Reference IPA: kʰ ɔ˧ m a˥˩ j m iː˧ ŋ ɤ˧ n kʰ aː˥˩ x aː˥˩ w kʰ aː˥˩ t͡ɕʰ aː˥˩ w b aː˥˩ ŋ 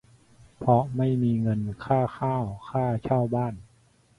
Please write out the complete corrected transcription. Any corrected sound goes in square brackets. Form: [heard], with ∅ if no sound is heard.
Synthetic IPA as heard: [pʰ] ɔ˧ m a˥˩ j m iː˧ ŋ ɤ˧ n kʰ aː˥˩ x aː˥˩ w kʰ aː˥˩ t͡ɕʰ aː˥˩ w b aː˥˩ [n]